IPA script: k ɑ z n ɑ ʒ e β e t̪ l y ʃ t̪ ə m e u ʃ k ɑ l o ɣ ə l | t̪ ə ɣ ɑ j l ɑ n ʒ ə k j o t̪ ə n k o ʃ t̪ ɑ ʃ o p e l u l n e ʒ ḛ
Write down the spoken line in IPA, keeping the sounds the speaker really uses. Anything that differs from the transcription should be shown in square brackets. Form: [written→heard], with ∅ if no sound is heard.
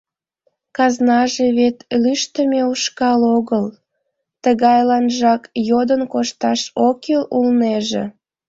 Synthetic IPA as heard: k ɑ z n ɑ ʒ e β e t̪ l y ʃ t̪ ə m e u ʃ k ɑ l o ɣ ə l | t̪ ə ɣ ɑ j l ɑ n ʒ [ə→ɑ] k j o [t̪→d̪] ə n k o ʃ t̪ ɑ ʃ o [p→k] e l u l n e ʒ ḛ